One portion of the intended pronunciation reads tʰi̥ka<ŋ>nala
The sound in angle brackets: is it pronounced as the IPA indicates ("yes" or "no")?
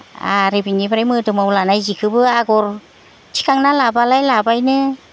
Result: yes